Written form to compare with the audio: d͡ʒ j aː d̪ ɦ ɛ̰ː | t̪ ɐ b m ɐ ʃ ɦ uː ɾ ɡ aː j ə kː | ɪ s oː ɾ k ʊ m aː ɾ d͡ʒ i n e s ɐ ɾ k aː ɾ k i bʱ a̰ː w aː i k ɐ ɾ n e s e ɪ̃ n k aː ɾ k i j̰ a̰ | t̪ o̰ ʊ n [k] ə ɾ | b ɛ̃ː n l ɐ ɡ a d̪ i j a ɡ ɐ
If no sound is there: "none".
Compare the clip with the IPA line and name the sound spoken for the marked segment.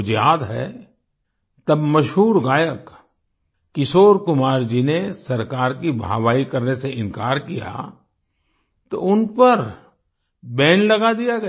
p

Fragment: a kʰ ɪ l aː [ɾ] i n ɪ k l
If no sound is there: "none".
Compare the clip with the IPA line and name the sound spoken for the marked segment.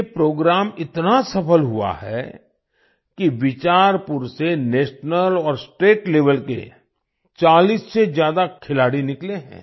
ɽ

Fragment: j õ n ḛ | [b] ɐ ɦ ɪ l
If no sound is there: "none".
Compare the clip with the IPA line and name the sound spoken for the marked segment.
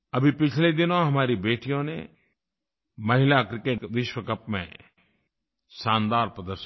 m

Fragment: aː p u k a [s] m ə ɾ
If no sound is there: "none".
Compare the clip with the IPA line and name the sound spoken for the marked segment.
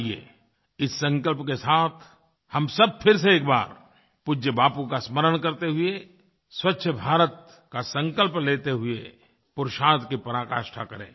s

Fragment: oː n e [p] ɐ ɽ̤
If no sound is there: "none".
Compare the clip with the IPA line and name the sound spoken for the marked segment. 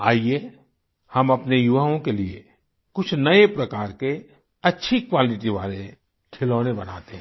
b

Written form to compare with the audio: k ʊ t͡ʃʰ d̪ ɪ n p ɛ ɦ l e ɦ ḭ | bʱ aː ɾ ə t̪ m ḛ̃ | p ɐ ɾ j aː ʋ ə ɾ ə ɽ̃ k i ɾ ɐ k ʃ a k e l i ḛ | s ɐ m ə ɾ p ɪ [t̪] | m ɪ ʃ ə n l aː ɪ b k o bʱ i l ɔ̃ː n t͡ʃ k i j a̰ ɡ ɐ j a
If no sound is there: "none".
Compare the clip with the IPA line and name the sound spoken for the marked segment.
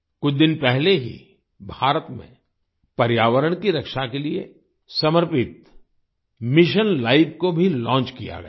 t̪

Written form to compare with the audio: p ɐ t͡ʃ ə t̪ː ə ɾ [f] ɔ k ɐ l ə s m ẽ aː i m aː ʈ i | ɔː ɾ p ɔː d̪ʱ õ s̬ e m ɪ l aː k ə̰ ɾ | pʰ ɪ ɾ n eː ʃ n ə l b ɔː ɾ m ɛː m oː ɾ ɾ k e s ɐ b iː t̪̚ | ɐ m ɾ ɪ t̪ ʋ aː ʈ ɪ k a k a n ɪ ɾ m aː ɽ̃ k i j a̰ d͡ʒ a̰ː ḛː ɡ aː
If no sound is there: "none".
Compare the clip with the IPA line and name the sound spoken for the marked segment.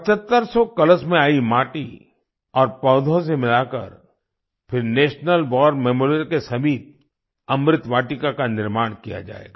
s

